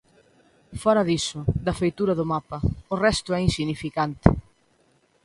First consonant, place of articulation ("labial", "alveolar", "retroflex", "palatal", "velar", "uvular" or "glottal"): labial